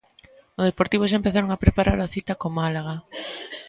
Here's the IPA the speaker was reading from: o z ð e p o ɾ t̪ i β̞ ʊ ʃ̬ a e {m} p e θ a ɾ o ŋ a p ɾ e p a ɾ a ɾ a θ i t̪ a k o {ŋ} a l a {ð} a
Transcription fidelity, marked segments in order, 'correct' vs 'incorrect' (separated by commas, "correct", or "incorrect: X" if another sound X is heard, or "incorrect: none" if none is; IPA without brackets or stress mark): correct, incorrect: m, incorrect: ɣ